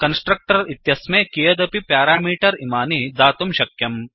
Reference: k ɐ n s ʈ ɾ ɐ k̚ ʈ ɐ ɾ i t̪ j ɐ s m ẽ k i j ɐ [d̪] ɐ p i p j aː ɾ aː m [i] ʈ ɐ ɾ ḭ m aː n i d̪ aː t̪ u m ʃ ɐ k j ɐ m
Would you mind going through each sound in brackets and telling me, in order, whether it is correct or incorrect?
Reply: correct, incorrect

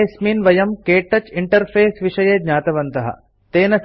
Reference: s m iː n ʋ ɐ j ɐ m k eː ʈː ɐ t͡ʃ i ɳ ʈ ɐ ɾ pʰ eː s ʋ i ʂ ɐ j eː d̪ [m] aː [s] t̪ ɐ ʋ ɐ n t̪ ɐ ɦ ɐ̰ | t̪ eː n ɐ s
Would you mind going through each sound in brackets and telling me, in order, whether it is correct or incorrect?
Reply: incorrect, incorrect

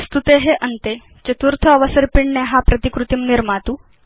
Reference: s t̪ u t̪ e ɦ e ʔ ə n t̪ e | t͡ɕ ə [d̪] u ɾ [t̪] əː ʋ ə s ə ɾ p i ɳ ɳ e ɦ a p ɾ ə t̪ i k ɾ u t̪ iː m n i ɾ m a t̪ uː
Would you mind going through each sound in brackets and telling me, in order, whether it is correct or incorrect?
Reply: incorrect, incorrect

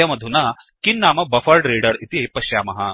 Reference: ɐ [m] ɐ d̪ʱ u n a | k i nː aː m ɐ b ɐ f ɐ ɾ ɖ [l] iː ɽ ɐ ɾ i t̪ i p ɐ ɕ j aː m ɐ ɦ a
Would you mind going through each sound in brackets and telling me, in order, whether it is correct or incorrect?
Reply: correct, incorrect

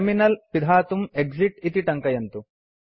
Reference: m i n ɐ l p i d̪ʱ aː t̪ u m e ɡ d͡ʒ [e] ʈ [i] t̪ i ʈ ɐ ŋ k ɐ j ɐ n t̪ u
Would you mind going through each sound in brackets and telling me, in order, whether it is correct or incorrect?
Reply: incorrect, correct

